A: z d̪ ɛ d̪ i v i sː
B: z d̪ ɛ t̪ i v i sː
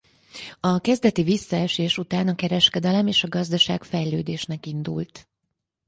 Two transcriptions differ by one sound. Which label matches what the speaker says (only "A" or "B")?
B